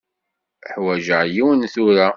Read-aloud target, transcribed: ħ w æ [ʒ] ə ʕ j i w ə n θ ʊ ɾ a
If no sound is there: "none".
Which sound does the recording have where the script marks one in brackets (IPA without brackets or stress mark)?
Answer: ʒ